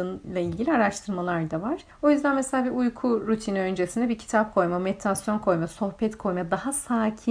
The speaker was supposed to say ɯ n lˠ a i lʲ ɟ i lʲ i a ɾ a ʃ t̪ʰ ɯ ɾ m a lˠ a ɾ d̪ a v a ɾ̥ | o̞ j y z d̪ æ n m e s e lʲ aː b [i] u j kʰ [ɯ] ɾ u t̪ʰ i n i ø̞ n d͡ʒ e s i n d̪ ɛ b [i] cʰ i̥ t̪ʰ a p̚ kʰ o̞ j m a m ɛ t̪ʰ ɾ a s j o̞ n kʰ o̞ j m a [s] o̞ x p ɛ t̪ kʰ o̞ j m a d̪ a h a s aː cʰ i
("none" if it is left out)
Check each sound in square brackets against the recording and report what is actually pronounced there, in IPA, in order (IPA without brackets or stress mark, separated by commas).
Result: i, u, i, s